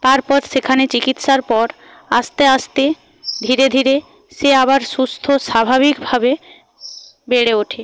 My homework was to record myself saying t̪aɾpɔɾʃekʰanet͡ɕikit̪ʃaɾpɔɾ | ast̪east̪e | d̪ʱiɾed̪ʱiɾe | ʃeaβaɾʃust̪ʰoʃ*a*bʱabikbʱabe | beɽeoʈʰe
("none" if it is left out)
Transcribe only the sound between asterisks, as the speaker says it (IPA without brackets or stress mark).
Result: a